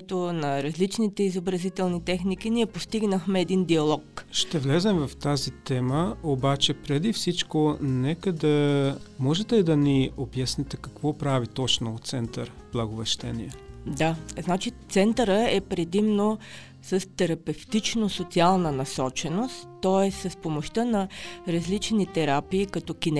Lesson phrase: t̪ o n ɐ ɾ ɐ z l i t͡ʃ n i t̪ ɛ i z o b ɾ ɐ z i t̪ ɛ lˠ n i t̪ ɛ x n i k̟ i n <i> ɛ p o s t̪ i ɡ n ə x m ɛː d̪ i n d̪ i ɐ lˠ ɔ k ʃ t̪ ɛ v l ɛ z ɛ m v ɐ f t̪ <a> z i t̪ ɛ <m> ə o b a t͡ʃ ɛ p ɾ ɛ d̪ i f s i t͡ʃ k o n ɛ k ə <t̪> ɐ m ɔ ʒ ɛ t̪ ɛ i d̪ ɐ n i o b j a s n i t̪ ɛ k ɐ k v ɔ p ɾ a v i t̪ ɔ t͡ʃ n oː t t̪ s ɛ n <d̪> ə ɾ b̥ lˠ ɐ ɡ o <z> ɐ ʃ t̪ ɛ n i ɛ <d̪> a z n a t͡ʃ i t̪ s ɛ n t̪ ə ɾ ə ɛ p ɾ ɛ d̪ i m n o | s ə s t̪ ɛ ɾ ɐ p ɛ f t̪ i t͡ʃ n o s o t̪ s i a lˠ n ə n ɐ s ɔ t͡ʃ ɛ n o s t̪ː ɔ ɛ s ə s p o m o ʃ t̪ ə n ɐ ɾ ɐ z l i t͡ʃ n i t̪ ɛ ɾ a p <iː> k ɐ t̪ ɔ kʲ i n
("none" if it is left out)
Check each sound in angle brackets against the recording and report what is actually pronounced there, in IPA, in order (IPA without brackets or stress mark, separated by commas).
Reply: i, a, m, d̪, t̪, v, d̪, iː